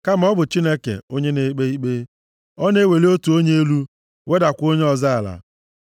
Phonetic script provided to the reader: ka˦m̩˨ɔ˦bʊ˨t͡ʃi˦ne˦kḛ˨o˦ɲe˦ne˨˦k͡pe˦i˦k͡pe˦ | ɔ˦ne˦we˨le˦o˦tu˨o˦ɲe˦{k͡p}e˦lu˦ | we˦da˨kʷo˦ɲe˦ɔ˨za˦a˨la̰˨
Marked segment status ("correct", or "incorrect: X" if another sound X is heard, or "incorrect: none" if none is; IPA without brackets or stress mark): incorrect: none